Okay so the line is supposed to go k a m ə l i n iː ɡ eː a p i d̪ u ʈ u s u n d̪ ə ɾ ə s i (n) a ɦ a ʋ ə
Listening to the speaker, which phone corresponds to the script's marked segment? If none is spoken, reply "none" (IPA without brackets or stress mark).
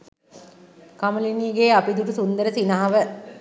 n